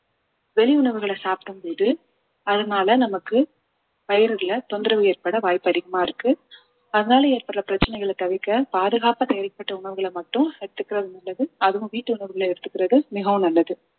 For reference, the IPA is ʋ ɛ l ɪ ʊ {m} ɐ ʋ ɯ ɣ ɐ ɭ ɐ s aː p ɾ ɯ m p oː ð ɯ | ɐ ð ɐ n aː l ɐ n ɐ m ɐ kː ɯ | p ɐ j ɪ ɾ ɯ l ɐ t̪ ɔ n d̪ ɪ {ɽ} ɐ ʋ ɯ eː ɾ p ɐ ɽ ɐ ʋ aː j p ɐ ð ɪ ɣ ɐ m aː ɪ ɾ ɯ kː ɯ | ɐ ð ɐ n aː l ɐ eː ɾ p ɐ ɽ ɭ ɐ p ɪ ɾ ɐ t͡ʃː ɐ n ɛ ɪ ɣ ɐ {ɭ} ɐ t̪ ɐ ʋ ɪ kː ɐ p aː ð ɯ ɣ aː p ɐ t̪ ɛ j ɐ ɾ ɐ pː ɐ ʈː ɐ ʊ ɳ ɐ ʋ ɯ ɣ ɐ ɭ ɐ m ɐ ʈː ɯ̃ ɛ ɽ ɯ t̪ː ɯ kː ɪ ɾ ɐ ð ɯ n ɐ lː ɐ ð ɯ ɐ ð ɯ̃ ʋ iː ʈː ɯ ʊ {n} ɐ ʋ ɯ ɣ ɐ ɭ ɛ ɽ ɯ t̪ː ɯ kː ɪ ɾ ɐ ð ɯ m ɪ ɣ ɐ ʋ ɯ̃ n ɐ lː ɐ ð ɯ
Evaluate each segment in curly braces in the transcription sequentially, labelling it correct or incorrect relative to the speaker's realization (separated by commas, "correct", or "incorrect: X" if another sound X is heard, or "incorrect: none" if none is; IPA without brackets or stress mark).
incorrect: ɳ, incorrect: ɾ, correct, incorrect: ɳ